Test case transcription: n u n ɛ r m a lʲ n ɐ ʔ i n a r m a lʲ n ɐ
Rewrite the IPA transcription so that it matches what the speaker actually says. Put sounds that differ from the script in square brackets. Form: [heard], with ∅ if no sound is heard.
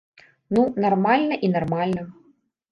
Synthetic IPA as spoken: n u n [a] r m a lʲ n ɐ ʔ i n a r m a lʲ n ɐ